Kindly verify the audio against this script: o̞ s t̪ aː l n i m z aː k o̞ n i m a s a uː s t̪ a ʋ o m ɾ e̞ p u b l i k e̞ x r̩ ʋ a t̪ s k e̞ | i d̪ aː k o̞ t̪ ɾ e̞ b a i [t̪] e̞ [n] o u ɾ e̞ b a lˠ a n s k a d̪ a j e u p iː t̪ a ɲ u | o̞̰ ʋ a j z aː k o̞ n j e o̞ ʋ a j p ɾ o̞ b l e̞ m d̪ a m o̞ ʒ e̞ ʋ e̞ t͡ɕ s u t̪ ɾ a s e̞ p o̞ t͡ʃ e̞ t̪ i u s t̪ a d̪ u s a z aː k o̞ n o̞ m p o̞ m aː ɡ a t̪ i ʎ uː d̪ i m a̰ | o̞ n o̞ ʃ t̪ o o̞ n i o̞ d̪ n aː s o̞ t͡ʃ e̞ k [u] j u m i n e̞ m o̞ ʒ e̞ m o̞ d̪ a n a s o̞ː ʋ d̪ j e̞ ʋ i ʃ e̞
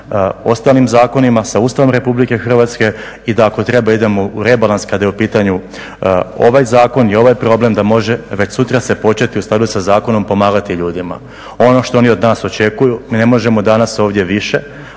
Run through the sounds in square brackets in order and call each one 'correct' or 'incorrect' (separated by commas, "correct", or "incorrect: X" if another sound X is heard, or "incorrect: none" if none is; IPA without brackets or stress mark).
incorrect: d̪, incorrect: m, correct